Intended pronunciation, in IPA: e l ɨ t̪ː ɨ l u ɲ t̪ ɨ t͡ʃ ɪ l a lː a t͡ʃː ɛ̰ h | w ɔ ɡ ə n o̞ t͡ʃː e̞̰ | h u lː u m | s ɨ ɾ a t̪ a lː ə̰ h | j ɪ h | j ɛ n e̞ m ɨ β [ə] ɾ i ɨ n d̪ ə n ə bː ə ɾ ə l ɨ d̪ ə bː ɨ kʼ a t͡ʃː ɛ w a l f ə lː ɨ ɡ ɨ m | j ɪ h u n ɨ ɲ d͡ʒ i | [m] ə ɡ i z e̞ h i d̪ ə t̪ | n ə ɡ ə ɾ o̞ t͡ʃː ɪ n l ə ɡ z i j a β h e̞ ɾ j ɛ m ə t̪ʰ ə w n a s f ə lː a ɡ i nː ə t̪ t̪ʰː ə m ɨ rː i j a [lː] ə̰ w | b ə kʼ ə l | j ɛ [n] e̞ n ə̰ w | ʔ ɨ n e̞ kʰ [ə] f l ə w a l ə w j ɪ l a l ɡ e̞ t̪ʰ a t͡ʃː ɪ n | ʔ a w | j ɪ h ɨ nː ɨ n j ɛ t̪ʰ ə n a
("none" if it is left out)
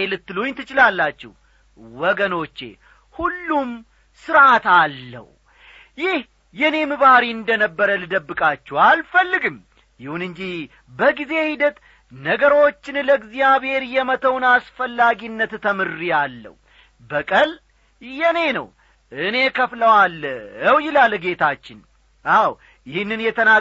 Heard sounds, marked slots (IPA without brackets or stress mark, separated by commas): a, b, lː, n, ə